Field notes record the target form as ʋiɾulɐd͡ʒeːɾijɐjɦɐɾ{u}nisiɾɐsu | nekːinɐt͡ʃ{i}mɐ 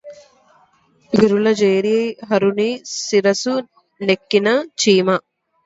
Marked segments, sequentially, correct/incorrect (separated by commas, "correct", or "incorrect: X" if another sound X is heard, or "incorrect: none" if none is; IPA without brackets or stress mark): correct, incorrect: iː